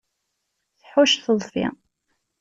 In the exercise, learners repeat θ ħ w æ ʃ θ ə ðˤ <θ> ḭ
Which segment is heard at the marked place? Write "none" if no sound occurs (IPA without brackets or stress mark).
f